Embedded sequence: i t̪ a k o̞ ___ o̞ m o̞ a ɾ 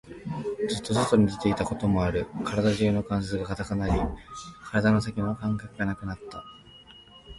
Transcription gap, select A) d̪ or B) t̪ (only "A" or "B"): B